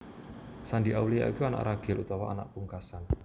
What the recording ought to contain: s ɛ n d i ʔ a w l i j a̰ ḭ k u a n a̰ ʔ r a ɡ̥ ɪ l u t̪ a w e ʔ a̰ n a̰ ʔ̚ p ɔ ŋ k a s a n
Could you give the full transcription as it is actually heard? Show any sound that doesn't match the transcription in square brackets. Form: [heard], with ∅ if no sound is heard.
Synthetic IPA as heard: s [a] n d i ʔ a w l i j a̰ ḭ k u a n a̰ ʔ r a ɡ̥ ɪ l u t̪ a w [a] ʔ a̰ n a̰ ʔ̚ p [u] ŋ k a s a n